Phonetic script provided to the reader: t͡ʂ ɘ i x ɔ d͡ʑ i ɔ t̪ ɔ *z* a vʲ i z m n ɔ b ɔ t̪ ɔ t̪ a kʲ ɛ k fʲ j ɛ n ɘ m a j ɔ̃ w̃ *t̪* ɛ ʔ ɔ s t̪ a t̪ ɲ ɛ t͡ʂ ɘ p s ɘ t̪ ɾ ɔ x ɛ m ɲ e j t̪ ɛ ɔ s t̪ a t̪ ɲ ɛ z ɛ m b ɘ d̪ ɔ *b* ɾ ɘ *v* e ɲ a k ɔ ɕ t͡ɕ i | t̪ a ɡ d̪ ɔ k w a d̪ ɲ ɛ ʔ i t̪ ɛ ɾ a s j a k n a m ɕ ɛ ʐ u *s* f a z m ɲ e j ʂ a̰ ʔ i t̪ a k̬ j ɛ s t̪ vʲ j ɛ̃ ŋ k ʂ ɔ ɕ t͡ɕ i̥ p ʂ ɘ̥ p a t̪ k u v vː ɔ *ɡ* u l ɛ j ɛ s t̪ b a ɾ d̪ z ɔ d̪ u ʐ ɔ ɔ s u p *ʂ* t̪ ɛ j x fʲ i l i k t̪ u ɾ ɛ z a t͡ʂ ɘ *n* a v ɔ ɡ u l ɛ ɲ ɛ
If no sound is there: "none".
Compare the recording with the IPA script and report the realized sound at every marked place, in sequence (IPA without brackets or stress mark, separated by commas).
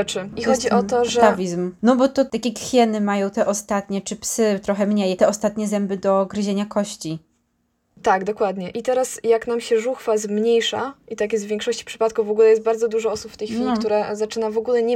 ʐ, t̪, ɡ, ʑ, x, ɡ, f, n